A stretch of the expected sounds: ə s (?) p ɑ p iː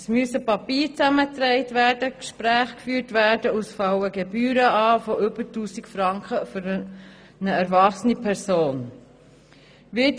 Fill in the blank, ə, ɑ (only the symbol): ə